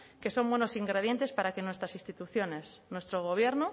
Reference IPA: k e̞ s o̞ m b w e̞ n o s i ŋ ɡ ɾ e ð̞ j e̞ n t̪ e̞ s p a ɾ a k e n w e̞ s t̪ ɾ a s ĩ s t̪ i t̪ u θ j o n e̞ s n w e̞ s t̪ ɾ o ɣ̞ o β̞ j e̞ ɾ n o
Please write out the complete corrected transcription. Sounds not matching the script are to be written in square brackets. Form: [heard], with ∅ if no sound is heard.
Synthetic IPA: k e̞ s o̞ m b w e̞ n o s i ŋ ɡ ɾ e ð̞ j e̞ n t̪ e̞ s p a ɾ a k e n w e̞ s t̪ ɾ a s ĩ s t̪ i t̪ u θ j o n e̞ s n w e̞ s t̪ ɾ o ɣ̞ o β̞ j e̞ ɾ n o